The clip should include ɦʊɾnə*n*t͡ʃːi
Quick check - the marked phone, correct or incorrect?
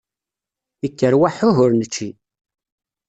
incorrect